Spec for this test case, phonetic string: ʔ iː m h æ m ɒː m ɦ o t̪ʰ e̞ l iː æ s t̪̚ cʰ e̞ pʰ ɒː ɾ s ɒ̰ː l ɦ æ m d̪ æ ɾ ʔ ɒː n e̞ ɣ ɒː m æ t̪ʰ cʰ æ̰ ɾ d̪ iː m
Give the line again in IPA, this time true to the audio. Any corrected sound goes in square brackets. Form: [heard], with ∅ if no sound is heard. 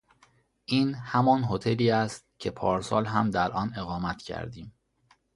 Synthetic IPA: ʔ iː [n] h æ m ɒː [n] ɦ o t̪ʰ e̞ l iː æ s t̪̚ cʰ e̞ pʰ ɒː ɾ s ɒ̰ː l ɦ æ m d̪ æ ɾ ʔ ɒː n e̞ ɣ ɒː m æ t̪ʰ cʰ æ̰ ɾ d̪ iː m